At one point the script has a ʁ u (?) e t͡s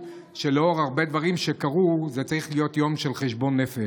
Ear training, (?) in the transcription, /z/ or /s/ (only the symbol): z